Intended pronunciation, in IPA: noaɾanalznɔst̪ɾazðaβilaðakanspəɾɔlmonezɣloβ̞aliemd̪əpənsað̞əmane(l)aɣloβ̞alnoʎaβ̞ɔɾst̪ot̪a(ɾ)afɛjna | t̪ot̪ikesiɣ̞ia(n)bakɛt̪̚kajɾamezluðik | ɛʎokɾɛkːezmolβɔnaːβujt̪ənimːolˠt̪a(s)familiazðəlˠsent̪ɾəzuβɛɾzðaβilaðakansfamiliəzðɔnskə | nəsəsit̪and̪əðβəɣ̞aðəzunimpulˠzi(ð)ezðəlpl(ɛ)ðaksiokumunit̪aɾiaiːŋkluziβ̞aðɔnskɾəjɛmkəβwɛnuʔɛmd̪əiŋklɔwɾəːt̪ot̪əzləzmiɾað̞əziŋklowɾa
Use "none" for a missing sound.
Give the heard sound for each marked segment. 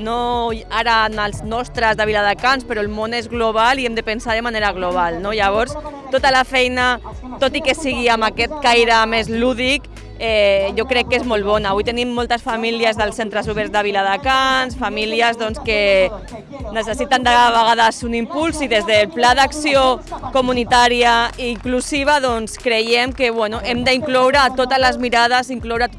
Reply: ɾ, l, m, s, ð, a

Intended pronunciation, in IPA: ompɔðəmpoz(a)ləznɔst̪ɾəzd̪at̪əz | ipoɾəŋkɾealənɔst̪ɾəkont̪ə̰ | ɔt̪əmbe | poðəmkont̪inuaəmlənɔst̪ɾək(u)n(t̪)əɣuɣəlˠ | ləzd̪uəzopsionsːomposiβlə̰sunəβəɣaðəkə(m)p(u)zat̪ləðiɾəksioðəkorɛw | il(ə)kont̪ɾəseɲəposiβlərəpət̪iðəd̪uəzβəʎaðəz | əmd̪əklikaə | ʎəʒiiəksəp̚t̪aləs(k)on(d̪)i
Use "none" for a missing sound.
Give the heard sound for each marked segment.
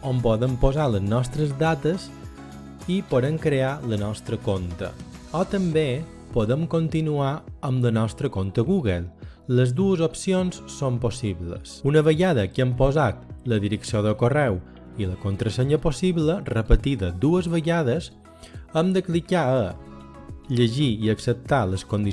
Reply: a, o, t̪, m, o, ə, k, d̪

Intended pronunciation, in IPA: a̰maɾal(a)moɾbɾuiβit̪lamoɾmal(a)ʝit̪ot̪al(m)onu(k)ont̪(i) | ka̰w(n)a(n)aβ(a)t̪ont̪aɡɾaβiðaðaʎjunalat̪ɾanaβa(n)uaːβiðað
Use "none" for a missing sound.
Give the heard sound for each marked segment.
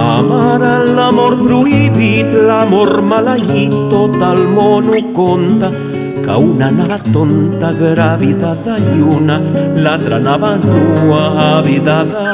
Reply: a, a, m, k, a, n, n, a, n

